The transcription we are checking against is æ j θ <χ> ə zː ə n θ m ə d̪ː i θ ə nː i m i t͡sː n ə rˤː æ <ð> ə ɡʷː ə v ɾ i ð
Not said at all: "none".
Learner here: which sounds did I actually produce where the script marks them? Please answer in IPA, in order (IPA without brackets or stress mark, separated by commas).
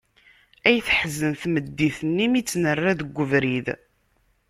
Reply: ħ, ð